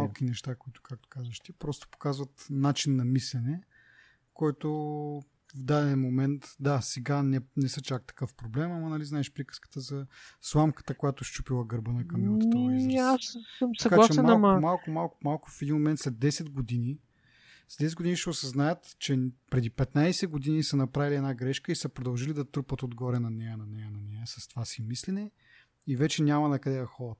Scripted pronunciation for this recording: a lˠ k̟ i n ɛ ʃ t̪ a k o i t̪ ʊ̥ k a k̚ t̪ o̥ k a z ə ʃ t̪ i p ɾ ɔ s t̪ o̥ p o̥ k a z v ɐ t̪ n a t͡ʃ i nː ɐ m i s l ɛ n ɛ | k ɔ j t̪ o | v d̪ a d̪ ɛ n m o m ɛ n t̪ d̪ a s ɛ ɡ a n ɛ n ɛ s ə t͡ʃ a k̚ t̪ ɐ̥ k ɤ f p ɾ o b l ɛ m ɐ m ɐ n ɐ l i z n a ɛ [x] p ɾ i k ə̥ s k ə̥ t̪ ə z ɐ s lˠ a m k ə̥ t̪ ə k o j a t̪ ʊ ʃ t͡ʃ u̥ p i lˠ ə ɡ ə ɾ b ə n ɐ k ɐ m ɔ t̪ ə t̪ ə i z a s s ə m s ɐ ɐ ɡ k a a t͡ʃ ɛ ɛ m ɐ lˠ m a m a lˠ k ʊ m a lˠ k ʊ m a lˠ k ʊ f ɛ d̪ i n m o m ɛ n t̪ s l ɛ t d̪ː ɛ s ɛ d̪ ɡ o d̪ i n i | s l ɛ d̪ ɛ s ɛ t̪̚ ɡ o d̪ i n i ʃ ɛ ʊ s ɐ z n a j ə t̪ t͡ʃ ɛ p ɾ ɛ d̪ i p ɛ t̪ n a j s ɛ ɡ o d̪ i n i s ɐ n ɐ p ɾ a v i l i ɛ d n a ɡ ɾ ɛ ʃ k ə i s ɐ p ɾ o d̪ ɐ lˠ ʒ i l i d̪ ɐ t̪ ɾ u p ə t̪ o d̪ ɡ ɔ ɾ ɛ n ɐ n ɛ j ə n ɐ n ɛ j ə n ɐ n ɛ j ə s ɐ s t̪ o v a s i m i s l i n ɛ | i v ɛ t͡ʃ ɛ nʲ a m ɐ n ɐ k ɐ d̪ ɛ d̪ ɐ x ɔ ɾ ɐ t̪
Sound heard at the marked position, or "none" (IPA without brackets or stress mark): ʃ